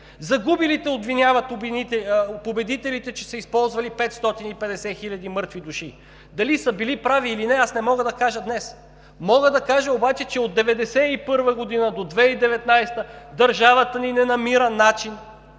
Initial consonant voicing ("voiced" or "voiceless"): voiced